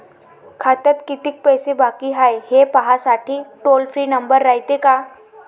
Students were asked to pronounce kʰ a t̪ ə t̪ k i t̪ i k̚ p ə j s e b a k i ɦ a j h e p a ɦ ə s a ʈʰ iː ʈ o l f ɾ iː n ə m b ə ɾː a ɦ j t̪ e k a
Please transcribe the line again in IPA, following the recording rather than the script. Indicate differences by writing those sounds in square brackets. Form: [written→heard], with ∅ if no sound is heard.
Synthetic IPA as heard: kʰ a t̪ ə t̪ k i t̪ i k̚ p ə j s e b a k i ɦ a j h e p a ɦ [ə→a] s a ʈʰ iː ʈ o l f ɾ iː n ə m b ə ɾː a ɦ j t̪ e k a